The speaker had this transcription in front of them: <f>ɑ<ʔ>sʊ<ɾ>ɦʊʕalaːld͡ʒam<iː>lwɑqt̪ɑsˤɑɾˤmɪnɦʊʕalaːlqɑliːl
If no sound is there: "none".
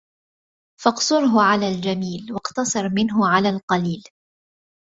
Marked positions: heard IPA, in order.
f, q, ɾ, iː

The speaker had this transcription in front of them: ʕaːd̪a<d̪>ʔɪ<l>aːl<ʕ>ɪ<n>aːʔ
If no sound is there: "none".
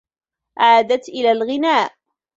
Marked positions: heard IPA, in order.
t̪, l, ɣ, n

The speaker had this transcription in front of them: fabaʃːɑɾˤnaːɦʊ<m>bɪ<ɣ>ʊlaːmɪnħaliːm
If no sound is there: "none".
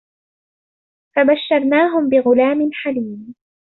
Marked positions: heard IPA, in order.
m, ɣ

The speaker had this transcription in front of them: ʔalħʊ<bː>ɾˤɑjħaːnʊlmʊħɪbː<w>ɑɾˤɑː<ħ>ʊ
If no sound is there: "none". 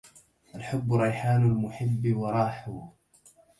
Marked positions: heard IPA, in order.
bː, w, ħ

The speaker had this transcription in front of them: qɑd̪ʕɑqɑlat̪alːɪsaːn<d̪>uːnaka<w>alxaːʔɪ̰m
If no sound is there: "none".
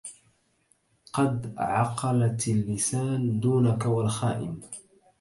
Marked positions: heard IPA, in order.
d̪, w

